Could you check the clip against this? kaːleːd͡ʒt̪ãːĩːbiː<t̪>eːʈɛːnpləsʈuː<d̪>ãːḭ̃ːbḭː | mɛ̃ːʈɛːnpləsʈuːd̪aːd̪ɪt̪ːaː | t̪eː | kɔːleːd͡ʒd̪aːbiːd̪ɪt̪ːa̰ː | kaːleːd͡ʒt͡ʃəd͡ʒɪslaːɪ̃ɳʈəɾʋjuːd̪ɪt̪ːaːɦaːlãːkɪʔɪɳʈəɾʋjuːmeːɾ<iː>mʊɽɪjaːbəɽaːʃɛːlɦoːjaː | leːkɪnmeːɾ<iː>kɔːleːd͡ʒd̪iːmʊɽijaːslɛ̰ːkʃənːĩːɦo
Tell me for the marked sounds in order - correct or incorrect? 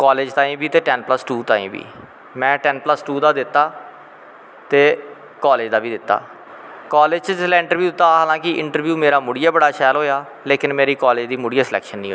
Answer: correct, incorrect, incorrect, correct

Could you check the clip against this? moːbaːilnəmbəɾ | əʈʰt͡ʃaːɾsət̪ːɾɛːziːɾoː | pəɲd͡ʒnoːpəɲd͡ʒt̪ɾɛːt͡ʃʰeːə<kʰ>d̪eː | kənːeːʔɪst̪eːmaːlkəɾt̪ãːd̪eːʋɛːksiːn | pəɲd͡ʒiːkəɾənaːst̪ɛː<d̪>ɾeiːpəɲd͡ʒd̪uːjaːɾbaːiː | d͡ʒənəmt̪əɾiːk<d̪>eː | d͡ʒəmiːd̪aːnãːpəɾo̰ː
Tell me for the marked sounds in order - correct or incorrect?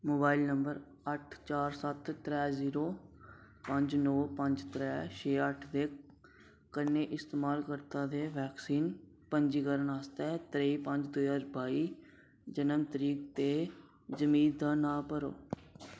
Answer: incorrect, incorrect, incorrect

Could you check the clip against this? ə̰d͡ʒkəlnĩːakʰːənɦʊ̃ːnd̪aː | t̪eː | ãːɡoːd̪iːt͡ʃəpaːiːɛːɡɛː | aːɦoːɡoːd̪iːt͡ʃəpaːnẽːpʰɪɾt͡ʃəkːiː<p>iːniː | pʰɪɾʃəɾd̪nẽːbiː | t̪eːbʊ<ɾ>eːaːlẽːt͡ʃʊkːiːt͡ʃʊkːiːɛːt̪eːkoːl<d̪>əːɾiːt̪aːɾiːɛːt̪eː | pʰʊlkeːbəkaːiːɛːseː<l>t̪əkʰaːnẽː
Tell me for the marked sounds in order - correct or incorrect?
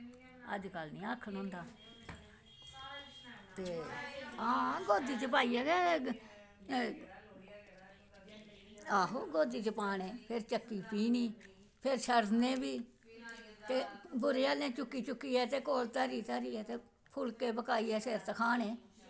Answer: correct, correct, incorrect, incorrect

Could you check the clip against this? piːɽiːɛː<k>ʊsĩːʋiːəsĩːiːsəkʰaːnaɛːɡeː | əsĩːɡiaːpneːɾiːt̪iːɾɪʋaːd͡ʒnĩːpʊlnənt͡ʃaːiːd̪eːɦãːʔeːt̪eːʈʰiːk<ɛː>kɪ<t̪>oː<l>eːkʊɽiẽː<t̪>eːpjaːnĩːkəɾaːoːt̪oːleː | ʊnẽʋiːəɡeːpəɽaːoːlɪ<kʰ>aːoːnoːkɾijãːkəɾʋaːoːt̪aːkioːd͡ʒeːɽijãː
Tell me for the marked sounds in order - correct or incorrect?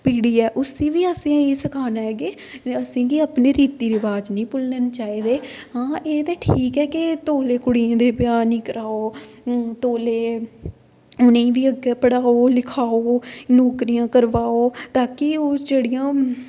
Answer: incorrect, correct, correct, correct, incorrect, correct

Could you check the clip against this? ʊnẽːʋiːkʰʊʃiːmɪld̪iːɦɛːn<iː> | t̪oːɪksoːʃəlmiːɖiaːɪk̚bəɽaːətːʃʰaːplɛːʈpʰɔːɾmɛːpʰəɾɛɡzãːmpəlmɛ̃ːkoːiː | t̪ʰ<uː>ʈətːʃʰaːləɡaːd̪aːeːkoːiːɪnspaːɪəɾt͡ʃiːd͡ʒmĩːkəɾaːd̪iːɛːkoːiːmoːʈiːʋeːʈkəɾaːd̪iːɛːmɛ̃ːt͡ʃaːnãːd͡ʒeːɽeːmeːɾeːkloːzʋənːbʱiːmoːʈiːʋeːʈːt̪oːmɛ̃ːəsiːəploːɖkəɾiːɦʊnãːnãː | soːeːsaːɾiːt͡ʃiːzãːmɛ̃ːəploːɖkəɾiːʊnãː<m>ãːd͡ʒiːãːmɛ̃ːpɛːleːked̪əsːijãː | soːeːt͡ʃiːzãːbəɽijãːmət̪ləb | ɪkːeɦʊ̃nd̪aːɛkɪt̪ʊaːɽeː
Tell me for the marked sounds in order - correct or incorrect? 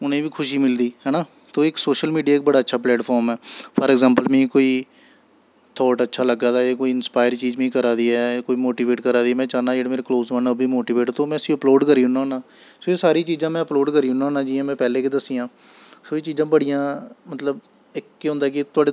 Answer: incorrect, incorrect, incorrect

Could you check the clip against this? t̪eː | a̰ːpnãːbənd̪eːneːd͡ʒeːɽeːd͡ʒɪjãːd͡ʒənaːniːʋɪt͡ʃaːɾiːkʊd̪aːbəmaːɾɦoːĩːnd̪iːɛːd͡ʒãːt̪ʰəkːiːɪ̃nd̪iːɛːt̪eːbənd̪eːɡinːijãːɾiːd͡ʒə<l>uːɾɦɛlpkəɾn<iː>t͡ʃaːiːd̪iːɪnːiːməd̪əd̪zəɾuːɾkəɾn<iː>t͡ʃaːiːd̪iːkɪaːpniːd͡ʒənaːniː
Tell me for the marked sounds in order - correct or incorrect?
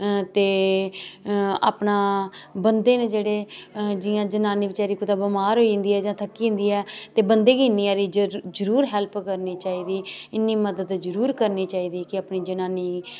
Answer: incorrect, correct, correct

